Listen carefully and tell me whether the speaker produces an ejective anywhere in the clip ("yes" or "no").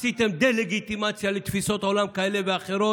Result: yes